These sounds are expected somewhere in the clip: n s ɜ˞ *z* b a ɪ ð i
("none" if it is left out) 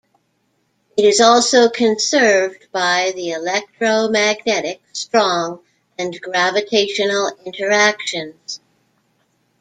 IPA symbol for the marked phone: v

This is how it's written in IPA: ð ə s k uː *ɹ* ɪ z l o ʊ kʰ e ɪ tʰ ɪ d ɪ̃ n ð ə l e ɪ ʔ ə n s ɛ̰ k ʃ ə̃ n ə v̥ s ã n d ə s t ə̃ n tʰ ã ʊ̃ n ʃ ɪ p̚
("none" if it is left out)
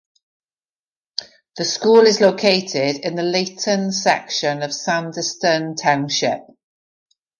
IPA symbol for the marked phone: l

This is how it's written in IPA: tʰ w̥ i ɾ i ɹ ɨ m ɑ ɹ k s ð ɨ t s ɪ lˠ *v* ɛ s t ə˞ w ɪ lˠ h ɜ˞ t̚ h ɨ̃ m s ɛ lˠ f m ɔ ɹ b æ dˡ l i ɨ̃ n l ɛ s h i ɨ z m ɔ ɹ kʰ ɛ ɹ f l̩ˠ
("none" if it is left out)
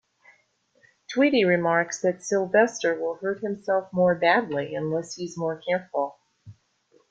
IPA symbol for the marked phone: v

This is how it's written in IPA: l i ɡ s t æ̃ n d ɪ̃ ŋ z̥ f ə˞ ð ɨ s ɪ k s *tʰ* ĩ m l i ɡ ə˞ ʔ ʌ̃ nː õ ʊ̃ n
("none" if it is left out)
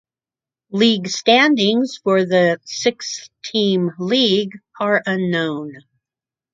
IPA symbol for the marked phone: tʰ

